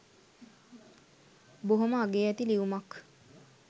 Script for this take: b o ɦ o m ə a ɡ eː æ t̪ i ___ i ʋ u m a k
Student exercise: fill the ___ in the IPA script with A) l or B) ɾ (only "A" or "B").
A